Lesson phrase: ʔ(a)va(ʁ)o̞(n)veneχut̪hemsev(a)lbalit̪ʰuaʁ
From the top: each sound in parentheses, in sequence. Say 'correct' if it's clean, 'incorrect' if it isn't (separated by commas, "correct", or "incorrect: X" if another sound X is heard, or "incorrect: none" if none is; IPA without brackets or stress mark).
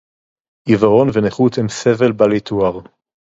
incorrect: i, correct, correct, incorrect: e